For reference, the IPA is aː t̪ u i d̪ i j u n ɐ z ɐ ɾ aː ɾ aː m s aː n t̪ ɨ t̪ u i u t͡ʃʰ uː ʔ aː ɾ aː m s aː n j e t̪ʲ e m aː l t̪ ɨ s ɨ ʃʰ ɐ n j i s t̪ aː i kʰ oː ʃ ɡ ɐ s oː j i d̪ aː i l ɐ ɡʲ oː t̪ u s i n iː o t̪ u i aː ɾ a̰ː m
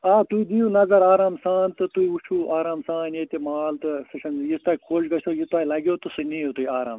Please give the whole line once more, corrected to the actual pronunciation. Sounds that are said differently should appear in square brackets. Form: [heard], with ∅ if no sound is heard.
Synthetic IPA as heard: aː t̪ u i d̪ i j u n ɐ z ɐ ɾ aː ɾ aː m s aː n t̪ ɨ t̪ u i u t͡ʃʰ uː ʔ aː ɾ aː m s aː n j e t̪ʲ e m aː l t̪ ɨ s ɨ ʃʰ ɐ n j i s t̪ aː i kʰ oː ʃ ɡ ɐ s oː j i [t̪] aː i l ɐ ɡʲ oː t̪ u s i n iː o t̪ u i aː ɾ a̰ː m